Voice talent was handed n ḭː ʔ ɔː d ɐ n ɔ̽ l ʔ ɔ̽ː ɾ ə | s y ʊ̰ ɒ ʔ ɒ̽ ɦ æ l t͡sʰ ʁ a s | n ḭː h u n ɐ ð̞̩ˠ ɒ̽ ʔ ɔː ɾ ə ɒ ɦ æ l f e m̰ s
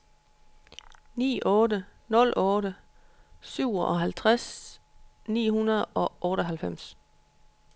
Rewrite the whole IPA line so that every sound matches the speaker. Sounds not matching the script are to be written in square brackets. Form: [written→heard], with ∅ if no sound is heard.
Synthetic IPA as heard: n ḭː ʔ ɔː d [ɐ→ə] n ɔ̽ l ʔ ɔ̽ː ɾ ə | s y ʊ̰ ɒ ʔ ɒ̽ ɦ æ l t͡sʰ ʁ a s | n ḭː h u n ɐ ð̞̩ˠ ɒ̽ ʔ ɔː ɾ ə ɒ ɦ æ l f e m̰ s